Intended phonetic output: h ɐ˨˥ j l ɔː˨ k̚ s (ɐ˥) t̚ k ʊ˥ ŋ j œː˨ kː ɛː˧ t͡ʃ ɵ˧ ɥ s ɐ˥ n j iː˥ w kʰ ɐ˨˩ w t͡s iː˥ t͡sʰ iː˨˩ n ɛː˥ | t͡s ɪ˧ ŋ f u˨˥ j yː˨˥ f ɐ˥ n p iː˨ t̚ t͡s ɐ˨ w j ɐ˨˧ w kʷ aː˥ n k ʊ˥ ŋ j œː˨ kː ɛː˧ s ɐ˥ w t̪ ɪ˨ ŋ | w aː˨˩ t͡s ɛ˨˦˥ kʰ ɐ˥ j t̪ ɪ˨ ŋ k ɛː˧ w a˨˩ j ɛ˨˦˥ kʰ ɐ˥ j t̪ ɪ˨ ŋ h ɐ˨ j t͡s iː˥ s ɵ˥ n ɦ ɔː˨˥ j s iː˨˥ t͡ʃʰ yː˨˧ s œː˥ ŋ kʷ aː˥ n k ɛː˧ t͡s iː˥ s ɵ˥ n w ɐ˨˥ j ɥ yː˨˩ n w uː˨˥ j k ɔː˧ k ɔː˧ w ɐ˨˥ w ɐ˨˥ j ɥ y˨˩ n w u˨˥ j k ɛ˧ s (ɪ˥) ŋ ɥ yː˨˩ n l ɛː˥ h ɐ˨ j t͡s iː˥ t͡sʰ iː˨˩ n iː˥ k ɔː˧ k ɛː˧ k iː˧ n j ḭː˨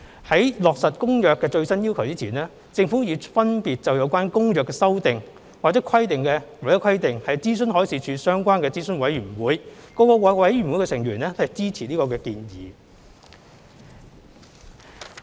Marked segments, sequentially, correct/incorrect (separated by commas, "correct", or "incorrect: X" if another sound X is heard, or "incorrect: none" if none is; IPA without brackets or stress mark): incorrect: ɐ˨, incorrect: ɪ˨˩